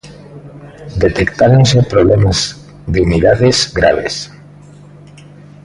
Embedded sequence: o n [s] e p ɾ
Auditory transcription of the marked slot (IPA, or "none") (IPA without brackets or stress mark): s